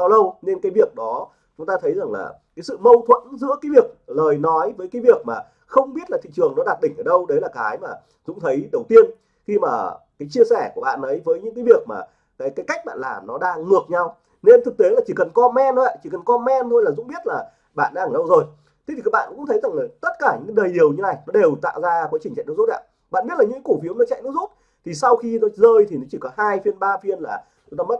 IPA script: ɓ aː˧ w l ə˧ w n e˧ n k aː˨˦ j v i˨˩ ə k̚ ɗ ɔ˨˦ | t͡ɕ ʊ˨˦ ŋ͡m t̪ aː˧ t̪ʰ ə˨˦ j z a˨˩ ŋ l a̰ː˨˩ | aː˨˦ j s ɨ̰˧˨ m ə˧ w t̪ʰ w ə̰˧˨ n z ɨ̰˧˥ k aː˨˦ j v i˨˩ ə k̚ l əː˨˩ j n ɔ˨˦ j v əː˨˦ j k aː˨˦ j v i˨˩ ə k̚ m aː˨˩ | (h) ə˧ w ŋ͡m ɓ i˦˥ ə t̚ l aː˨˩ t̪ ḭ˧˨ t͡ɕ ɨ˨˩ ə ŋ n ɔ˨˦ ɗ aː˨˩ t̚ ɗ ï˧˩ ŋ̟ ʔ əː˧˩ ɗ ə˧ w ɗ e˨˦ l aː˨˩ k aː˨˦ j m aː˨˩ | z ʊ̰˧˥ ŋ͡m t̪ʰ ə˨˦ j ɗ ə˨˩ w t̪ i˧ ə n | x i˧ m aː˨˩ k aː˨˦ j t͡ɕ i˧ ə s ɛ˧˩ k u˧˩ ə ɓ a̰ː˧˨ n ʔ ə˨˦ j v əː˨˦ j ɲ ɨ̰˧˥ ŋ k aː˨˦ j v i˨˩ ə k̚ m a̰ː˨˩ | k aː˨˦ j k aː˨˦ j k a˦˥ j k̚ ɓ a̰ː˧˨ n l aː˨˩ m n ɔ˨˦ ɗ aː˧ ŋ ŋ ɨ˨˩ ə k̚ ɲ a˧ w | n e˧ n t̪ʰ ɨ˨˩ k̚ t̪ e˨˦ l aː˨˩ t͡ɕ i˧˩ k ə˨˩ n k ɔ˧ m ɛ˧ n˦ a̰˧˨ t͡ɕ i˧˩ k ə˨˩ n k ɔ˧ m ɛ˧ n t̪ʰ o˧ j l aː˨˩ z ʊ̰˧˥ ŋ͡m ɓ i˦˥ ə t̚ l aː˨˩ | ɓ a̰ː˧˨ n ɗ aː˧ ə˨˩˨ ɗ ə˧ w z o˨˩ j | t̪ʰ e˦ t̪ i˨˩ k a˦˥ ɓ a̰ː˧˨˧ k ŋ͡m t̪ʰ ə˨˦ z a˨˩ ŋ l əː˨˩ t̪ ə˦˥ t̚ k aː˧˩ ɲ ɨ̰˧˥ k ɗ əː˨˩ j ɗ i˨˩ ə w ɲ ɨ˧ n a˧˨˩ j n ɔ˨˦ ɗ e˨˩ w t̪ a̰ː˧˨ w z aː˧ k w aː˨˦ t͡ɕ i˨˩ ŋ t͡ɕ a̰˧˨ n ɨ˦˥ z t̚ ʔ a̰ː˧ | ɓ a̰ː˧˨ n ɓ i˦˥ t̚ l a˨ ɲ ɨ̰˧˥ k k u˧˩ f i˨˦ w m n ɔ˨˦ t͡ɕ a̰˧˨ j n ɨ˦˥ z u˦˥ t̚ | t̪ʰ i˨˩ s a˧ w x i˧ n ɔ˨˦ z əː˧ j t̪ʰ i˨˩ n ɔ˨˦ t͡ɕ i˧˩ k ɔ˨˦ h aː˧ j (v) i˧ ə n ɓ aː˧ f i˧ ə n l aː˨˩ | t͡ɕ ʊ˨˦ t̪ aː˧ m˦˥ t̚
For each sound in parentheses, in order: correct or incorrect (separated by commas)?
incorrect, incorrect